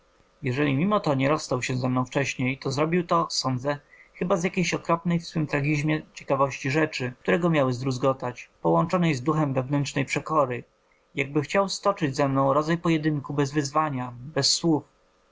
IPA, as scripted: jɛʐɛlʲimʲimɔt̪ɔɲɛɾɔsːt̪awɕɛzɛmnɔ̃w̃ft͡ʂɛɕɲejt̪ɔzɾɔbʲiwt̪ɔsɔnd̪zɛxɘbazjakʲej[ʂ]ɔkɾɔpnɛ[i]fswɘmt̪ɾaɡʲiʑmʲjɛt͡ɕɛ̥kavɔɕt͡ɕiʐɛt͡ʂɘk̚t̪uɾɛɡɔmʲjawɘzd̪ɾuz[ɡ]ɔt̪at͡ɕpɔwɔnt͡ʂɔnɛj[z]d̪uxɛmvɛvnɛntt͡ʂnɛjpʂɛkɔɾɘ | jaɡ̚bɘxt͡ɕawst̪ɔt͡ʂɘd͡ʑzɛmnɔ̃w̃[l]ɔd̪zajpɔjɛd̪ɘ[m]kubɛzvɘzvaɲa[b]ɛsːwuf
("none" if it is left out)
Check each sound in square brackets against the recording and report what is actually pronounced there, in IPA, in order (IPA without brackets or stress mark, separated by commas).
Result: ɕ, j, ɡ, z, ɾ, ŋ, b